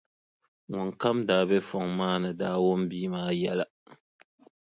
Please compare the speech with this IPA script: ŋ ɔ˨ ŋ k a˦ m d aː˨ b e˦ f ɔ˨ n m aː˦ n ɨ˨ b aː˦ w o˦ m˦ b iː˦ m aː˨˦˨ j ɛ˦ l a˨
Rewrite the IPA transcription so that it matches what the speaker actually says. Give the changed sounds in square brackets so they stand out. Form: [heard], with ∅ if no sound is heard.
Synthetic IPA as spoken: ŋ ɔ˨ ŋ k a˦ m d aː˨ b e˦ f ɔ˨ [ŋ] m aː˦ n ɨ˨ [d] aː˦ w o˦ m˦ b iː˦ m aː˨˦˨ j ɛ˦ l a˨